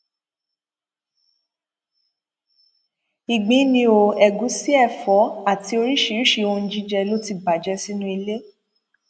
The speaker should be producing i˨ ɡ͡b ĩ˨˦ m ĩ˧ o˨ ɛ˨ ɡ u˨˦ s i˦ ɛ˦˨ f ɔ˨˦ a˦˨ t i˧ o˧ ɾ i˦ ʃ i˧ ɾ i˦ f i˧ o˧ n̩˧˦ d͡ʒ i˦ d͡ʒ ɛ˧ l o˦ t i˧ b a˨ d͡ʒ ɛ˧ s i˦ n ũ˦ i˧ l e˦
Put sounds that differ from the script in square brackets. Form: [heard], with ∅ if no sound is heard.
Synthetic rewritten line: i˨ ɡ͡b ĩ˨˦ [n] ĩ˧ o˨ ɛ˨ ɡ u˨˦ s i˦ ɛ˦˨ f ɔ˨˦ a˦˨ t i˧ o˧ ɾ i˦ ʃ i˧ ɾ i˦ [ʃ] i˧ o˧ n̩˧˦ d͡ʒ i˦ d͡ʒ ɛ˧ l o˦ t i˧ b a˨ d͡ʒ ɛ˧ s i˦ n ũ˦ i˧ l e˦